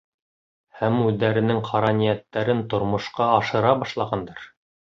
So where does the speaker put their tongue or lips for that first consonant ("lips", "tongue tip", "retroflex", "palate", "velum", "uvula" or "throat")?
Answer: throat